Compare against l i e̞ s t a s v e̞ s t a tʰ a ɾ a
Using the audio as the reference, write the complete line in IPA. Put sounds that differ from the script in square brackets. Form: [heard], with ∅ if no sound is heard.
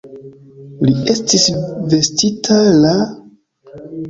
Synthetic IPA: l i e̞ s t [i] s v e̞ s t [i] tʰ a [l] a